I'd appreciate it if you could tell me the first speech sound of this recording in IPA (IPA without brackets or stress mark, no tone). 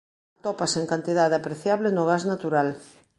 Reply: t̪